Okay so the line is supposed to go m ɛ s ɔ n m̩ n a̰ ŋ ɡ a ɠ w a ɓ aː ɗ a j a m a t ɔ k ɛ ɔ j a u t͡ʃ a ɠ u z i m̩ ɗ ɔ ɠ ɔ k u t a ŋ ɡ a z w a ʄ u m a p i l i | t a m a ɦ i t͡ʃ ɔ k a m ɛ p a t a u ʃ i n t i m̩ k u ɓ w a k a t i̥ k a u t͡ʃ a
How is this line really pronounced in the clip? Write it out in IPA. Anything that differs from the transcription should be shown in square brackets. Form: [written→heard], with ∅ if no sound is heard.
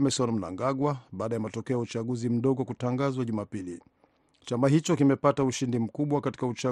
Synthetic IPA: m ɛ s ɔ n m̩ n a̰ ŋ ɡ a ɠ w a ɓ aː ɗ a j a m a t ɔ k ɛ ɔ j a u t͡ʃ a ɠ u z i m̩ ɗ ɔ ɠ ɔ k u t a ŋ ɡ a z w a ʄ u m a p i l i | [t→t͡ʃ] a m a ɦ i t͡ʃ ɔ k [a→i] m ɛ p a t a u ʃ i n [t→d] i m̩ k u ɓ w a k a t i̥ k a u t͡ʃ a